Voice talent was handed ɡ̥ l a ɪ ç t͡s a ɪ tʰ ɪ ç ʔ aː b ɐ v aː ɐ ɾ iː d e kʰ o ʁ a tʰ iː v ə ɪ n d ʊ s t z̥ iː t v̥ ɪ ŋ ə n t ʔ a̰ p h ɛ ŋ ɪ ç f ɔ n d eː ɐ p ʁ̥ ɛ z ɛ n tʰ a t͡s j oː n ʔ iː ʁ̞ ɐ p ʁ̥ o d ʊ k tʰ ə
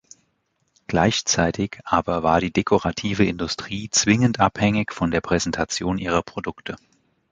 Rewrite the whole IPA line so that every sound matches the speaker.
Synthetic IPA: ɡ̥ l a ɪ ç t͡s a ɪ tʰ ɪ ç ʔ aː b ɐ v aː ɐ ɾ iː d e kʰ o ʁ a tʰ iː v ə ɪ n d ʊ s t ʁ̥ iː t͡s v̥ ɪ ŋ ə n t ʔ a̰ p h ɛ ŋ ɪ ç f ɔ n d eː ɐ p ʁ̥ ɛ z ɛ n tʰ a t͡s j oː n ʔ iː ʁ̞ ɐ p ʁ̥ o d ʊ k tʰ ə